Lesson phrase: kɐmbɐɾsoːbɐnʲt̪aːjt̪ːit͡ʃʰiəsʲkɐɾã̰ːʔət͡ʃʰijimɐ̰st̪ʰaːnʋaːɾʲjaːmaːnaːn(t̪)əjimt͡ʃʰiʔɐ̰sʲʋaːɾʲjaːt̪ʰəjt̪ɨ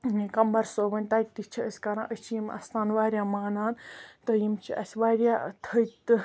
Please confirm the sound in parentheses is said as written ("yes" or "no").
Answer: yes